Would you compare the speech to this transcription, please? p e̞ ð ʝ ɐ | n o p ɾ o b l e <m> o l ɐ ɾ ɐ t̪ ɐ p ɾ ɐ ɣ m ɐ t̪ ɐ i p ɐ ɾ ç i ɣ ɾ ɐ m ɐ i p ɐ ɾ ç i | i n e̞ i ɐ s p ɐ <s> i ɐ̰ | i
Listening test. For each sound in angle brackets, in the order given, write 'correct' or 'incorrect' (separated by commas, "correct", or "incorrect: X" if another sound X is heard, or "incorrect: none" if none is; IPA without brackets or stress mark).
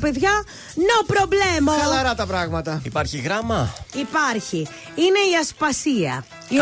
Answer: correct, correct